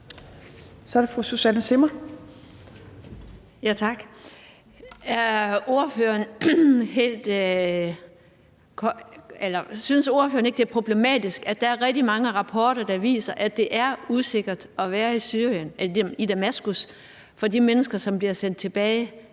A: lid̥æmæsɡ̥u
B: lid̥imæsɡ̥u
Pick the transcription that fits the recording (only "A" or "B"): A